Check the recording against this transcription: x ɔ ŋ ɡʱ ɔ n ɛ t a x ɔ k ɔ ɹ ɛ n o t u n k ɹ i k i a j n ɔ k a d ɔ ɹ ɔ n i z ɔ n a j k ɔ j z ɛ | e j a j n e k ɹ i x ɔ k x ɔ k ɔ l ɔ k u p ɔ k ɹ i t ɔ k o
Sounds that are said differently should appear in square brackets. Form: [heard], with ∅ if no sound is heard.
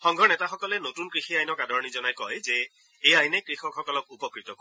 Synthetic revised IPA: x ɔ ŋ ɡʱ ɔ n ɛ t a x ɔ k ɔ [l] ɛ n o t u n k ɹ i [x] i a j n ɔ k a d ɔ ɹ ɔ n i z ɔ n a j k ɔ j z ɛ | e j a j n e k ɹ i x ɔ k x ɔ k ɔ l ɔ k u p ɔ k ɹ i t ɔ k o